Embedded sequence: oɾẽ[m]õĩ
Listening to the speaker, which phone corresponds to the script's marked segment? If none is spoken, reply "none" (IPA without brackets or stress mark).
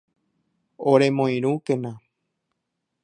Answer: m